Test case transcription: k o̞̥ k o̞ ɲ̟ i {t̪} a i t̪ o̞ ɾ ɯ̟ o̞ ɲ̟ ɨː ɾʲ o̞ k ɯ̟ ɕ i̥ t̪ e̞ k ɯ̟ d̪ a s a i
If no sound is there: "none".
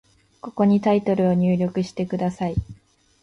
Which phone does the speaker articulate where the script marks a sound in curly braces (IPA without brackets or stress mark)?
t̪